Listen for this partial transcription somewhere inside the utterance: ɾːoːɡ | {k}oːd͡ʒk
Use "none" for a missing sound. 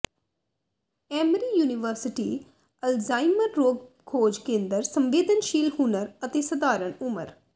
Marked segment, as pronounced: kʰ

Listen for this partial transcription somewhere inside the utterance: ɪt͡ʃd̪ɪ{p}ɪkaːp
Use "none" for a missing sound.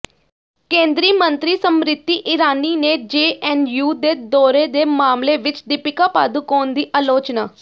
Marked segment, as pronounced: p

